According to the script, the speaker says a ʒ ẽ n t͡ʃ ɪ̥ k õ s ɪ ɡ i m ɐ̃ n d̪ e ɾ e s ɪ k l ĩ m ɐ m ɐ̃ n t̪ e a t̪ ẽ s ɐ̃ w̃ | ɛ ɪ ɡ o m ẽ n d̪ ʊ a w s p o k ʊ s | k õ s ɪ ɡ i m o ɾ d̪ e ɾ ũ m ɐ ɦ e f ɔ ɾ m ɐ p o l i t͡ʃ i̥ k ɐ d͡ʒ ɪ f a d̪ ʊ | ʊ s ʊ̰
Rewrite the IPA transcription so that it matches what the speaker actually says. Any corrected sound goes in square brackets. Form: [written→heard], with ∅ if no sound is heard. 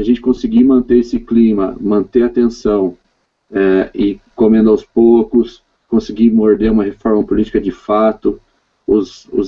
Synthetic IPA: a ʒ ẽ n t͡ʃ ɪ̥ k õ s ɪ ɡ i m ɐ̃ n [d̪→t̪] e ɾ e s ɪ k l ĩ m ɐ m ɐ̃ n t̪ e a t̪ ẽ s ɐ̃ w̃ | ɛ ɪ [ɡ→k] o m ẽ n d̪ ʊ a w s p o k ʊ s | k õ s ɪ ɡ i m o ɾ d̪ e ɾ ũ m ɐ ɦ e f ɔ ɾ m ɐ p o l i t͡ʃ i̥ k ɐ d͡ʒ ɪ f a [d̪→t̪] ʊ | ʊ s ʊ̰